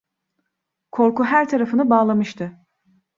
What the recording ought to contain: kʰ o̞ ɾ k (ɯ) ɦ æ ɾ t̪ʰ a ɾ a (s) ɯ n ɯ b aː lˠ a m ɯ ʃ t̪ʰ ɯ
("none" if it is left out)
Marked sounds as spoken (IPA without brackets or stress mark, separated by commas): u, f